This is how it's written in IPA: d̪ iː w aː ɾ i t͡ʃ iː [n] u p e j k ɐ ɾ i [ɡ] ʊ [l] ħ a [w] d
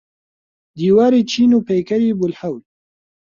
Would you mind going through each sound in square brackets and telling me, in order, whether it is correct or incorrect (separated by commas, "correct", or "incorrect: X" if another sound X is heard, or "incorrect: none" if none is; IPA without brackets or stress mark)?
correct, incorrect: b, correct, correct